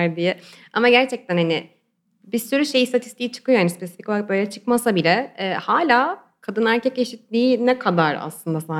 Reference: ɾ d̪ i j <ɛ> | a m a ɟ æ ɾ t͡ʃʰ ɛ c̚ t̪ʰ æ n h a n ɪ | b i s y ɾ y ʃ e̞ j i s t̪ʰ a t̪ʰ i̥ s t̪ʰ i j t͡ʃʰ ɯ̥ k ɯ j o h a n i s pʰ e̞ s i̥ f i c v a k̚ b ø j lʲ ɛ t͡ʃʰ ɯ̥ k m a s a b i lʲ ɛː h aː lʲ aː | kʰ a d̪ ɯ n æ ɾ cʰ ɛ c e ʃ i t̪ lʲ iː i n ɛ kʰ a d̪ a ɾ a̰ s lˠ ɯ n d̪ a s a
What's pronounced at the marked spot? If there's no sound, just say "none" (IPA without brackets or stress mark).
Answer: ɛ